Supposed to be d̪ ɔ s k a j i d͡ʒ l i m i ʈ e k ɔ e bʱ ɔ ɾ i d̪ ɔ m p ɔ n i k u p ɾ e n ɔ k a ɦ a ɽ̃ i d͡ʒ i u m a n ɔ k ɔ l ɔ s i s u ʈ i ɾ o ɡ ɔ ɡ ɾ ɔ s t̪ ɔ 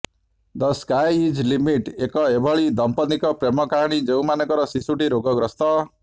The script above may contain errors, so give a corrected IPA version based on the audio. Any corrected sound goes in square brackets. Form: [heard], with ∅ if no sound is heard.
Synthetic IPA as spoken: d̪ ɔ s k a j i d͡ʒ l i m i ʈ e k ɔ e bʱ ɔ [ɭ] i d̪ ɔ m p ɔ n i k [ɔ] p ɾ e [m] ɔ k a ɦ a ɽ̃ i d͡ʒ [e] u m a n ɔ k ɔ [ɾ] ɔ s i s u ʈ i ɾ o ɡ ɔ ɡ ɾ ɔ s t̪ ɔ